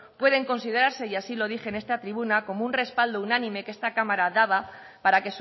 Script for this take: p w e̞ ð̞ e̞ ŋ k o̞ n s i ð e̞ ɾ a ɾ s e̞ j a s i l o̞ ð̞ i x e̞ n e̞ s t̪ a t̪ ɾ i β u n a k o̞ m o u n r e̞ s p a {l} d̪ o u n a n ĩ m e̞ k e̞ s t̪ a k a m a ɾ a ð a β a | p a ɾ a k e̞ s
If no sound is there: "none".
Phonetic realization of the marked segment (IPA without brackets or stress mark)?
l